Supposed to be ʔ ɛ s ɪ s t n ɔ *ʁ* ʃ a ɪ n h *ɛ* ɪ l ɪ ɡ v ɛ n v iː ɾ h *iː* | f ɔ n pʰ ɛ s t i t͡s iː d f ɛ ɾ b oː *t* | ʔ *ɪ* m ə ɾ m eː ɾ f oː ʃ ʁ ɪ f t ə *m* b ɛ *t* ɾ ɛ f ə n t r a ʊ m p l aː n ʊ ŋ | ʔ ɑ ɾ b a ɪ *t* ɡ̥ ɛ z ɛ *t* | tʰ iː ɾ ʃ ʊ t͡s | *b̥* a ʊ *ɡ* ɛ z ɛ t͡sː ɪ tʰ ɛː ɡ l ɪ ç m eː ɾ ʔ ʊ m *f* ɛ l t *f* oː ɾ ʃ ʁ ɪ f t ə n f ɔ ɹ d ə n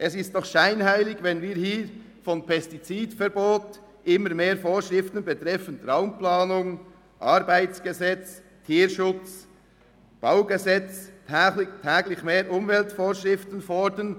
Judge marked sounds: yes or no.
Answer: no, no, yes, yes, yes, no, yes, no, no, yes, yes, no, yes

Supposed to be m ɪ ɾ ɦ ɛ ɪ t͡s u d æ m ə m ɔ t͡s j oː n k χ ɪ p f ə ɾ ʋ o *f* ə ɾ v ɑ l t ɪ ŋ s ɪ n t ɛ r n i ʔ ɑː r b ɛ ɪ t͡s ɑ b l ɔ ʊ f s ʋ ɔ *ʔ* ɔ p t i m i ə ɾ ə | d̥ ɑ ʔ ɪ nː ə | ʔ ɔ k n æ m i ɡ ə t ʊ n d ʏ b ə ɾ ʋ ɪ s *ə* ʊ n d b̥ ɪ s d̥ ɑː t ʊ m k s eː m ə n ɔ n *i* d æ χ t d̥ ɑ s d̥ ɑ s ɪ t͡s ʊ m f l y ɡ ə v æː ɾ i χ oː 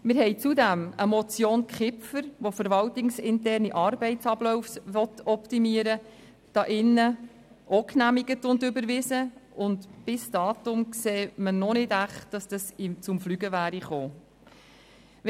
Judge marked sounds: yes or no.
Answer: yes, no, yes, no

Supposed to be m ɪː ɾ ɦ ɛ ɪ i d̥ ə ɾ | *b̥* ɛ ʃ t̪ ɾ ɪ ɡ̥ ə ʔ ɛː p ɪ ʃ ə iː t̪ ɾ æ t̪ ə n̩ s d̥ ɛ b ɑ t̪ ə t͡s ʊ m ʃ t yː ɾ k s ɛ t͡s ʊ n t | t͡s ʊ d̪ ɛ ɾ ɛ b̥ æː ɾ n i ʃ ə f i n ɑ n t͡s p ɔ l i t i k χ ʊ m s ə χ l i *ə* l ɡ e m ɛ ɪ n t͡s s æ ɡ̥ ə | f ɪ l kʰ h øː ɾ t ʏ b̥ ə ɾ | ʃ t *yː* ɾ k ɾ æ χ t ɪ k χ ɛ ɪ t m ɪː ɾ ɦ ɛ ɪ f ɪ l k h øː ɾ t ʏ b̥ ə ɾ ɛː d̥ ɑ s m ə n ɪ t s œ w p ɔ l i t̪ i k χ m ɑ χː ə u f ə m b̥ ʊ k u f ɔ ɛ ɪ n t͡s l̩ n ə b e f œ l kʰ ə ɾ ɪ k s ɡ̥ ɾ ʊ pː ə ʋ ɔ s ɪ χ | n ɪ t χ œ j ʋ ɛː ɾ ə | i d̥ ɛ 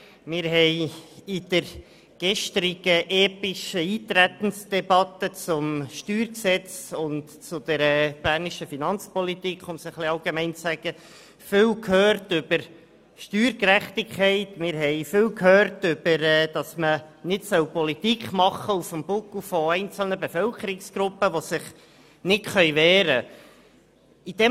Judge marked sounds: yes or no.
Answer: no, no, yes

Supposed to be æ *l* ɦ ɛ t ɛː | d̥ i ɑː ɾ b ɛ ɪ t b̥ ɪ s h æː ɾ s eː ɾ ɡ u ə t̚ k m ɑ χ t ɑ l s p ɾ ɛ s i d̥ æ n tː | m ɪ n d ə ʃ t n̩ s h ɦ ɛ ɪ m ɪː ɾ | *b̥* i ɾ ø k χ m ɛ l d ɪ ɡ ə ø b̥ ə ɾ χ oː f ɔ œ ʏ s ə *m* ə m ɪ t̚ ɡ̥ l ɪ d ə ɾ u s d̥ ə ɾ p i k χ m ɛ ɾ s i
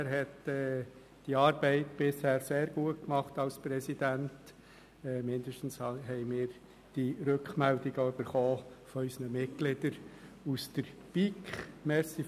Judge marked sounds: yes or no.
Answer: no, no, no

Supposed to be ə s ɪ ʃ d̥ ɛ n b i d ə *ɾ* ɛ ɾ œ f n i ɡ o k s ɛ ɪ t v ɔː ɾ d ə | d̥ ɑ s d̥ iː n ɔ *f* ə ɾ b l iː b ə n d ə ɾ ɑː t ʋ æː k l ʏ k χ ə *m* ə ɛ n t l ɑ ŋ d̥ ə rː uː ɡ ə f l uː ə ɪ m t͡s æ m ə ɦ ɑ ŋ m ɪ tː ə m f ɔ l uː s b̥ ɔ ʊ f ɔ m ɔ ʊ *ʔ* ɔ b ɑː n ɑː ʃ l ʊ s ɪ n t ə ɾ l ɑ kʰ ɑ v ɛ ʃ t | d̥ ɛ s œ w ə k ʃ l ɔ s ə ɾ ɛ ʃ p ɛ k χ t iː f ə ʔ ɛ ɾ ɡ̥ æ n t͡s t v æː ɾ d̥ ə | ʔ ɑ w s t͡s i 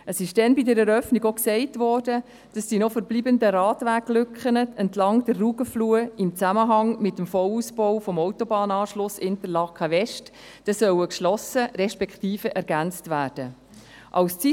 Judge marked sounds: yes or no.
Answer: yes, yes, no, no

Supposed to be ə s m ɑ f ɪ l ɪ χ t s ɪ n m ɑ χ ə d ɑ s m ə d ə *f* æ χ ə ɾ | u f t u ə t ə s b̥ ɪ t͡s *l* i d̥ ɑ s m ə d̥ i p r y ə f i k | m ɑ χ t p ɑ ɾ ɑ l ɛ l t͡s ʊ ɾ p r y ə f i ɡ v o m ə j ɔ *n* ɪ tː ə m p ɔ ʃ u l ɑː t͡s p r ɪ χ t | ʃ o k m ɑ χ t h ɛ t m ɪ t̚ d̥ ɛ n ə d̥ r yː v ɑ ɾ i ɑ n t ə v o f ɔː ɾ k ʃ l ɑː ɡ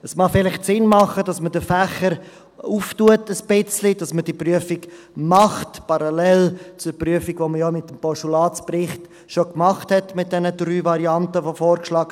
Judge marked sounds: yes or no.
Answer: yes, yes, no

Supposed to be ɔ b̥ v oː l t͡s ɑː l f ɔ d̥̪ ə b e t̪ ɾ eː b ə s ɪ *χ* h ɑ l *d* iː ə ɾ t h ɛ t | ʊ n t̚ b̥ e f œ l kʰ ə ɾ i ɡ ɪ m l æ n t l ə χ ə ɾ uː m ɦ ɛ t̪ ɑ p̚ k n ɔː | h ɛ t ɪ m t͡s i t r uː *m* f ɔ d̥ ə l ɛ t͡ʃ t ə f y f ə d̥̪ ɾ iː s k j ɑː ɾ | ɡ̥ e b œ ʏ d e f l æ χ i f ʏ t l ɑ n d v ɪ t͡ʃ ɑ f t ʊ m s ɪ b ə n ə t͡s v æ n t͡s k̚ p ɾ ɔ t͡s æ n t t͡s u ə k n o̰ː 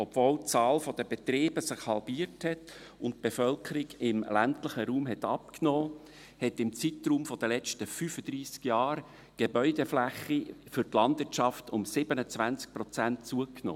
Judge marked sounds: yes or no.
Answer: yes, no, yes

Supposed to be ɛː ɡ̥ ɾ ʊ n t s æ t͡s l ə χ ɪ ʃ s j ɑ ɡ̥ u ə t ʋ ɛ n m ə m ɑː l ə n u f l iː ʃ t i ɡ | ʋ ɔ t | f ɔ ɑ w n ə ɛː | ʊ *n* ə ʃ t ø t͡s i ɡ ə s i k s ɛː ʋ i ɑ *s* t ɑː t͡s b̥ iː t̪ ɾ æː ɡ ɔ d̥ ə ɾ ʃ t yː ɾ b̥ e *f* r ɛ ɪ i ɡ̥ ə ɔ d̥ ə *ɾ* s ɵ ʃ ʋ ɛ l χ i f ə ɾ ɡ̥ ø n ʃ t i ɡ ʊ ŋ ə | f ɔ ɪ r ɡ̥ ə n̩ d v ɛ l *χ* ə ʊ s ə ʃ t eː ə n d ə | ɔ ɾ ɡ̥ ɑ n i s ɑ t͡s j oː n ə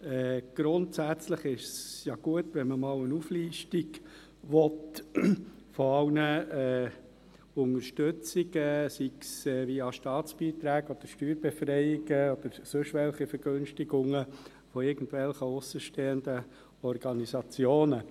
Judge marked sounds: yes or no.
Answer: no, no, yes, yes, yes

